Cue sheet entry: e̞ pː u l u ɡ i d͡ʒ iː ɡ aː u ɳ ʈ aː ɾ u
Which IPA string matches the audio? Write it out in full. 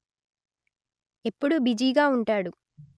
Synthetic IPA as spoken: e̞ pː u ɽ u b i d͡ʒ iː ɡ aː u ɳ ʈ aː ɽ u